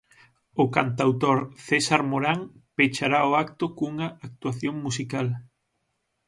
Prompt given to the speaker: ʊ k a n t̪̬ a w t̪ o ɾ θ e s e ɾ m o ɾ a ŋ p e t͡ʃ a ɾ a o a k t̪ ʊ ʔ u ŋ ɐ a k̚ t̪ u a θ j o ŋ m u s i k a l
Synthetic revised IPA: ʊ k a n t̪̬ a w t̪ o ɾ θ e s a ɾ m o ɾ a ŋ p e t͡ʃ a ɾ a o a k t̪ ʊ k u ŋ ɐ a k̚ t̪ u a θ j o ŋ m u s i k a l